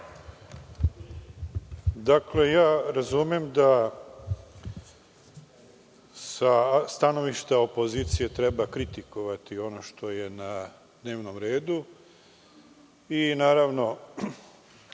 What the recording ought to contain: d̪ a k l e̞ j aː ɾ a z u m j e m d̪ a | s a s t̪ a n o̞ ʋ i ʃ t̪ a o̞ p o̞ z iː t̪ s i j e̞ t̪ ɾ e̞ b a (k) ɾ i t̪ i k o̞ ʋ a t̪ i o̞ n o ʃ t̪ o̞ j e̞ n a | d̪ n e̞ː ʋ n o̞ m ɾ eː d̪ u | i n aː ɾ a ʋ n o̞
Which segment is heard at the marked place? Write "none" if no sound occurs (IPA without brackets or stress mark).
k